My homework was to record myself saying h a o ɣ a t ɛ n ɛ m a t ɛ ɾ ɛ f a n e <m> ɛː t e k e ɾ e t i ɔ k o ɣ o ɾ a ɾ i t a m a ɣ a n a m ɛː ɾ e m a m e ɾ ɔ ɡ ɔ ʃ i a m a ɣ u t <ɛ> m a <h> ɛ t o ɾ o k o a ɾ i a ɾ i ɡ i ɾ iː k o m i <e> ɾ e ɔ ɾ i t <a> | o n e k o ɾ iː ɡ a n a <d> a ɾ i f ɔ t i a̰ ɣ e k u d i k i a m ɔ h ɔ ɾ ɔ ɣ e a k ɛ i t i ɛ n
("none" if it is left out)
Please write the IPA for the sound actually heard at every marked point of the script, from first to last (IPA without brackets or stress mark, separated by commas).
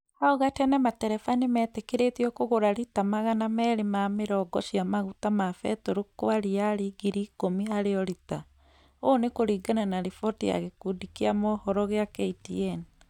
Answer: m, a, f, a, a, n